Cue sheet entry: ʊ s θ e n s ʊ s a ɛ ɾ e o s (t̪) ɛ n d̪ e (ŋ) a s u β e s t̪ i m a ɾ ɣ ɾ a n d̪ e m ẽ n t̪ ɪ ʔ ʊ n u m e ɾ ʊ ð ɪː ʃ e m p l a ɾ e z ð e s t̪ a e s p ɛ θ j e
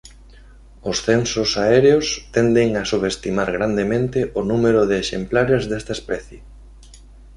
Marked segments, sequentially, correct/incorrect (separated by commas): correct, correct